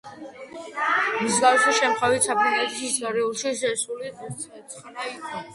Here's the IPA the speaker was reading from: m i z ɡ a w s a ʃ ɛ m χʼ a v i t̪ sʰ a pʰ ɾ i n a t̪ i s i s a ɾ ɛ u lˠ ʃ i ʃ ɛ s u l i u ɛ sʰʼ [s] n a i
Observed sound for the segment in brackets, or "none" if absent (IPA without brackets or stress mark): χ